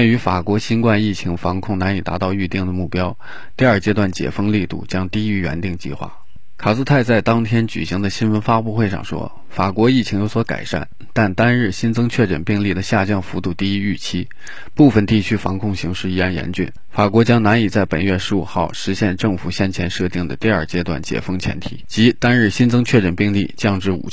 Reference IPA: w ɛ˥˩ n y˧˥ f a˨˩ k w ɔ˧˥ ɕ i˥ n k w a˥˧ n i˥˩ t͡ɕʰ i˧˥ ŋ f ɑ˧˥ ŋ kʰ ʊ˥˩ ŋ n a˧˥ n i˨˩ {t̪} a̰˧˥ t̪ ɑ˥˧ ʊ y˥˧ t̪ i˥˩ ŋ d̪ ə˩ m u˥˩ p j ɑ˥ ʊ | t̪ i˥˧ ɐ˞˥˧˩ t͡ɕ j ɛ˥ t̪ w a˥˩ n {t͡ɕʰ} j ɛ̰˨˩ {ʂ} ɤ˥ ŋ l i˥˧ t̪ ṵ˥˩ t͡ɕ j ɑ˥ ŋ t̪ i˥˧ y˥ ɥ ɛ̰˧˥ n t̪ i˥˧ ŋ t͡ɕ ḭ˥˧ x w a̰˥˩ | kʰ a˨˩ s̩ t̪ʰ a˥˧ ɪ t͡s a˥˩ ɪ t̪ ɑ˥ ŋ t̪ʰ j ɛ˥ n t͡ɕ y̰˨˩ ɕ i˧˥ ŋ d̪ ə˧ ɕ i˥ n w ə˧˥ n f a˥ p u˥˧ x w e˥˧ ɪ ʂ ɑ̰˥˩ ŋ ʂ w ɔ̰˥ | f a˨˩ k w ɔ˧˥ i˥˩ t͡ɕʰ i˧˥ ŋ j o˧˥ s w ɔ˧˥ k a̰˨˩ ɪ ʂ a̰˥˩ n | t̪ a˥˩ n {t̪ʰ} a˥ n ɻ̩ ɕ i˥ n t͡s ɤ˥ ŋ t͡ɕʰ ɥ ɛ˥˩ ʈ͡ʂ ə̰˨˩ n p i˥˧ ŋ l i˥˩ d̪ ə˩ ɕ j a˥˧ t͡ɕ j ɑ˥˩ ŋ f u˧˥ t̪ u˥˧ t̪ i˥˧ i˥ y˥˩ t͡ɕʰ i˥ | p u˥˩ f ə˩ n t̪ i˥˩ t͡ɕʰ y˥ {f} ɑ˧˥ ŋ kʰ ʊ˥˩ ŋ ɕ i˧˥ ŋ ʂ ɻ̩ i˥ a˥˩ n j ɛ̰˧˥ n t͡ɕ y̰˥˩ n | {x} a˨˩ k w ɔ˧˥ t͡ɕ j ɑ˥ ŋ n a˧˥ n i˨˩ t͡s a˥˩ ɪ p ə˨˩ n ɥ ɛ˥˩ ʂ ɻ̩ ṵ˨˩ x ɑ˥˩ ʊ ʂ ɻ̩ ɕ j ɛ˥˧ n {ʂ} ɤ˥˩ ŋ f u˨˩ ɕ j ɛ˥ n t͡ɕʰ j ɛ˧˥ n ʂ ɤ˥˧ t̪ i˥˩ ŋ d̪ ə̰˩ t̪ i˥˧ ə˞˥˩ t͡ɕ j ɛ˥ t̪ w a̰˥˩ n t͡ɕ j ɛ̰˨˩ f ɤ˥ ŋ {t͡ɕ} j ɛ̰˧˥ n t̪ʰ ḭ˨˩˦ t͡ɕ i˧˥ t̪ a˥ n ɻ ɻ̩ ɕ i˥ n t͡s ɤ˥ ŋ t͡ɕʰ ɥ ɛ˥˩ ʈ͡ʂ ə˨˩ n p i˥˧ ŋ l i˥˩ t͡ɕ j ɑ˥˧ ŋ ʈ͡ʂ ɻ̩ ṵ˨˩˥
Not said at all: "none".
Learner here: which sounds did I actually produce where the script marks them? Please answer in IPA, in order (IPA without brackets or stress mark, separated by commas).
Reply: t̪, t͡ɕ, f, t̪, f, f, ʈ͡ʂ, t͡ɕʰ